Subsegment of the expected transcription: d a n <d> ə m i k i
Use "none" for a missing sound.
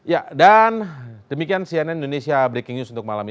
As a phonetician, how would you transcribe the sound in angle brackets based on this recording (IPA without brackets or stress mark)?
d